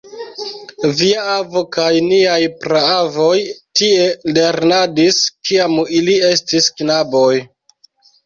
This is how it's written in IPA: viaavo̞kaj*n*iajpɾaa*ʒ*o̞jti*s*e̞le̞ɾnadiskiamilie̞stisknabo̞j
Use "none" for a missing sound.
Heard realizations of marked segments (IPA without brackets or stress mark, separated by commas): n, v, none